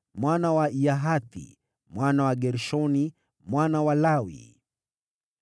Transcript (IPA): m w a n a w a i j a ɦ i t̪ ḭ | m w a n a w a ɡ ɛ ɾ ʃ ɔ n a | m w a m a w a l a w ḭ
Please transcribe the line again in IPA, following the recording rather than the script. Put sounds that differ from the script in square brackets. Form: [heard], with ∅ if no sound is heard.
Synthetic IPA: m w a n a w a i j a ɦ [a] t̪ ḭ | m w a n a w a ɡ ɛ ɾ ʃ ɔ n [i] | m w a [n] a w a l a w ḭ